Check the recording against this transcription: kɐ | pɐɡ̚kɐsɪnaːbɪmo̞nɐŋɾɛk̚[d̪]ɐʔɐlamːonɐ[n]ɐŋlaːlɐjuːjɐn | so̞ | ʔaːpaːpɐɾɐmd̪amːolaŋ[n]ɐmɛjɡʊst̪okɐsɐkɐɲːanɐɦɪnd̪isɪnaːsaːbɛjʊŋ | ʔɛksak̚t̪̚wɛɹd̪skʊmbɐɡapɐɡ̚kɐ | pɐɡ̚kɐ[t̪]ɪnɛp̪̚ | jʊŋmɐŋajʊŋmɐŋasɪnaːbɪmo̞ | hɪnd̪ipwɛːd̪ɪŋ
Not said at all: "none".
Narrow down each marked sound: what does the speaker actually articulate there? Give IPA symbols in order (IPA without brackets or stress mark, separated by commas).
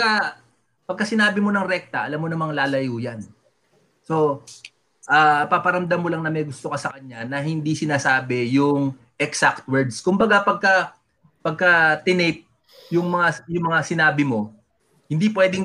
t̪, m, n, t̪